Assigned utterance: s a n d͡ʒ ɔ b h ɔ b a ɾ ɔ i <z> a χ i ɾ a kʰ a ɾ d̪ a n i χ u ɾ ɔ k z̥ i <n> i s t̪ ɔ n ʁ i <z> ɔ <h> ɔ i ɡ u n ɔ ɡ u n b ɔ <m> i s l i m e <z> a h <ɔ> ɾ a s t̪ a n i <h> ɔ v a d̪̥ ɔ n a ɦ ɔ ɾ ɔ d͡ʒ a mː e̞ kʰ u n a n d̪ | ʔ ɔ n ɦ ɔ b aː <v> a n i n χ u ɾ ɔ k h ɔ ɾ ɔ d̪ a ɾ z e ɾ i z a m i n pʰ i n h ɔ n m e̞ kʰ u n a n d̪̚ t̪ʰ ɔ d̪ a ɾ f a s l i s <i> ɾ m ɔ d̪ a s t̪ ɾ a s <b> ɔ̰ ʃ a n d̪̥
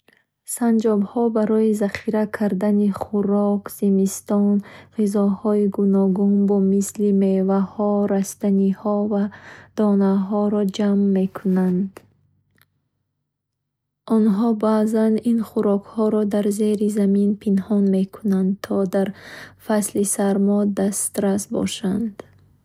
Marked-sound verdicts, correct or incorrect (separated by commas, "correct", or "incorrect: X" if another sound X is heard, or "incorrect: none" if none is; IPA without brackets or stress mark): correct, incorrect: m, correct, correct, correct, incorrect: v, correct, correct, incorrect: z, incorrect: a, correct